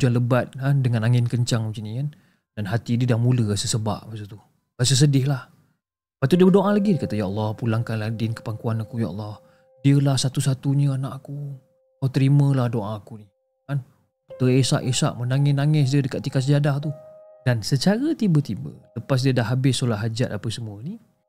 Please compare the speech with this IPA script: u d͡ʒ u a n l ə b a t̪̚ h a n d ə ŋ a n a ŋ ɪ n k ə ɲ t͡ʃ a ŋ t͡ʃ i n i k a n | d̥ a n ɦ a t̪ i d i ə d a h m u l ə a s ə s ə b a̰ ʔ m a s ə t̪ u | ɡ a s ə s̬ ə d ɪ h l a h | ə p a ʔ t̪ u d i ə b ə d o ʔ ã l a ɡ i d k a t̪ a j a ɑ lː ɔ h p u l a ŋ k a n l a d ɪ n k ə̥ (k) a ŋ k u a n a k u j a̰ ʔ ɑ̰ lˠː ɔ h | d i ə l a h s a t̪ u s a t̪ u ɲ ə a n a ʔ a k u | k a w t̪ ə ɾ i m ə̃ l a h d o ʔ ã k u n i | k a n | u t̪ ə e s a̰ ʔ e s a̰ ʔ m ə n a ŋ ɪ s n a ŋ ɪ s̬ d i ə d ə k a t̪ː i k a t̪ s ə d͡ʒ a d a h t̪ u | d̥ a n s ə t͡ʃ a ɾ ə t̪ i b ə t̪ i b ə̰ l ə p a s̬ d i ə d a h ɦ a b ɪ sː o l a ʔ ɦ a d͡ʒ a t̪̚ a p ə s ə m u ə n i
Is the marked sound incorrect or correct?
incorrect